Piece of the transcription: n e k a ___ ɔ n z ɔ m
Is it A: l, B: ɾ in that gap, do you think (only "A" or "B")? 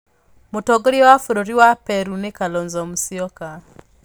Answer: A